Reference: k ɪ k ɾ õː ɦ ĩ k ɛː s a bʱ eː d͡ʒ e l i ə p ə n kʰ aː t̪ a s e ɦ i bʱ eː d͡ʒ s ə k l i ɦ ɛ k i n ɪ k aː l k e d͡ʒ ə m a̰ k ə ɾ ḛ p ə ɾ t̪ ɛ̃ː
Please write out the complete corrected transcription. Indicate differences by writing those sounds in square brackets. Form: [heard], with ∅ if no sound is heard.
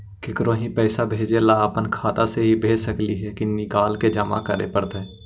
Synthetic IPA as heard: k ɪ k ɾ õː ɦ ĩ [p] ɛː s a bʱ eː d͡ʒ e l [a] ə p ə n kʰ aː t̪ a s e ɦ i bʱ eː d͡ʒ s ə k l i ɦ ɛ k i n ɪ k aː l k e d͡ʒ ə m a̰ k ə ɾ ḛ p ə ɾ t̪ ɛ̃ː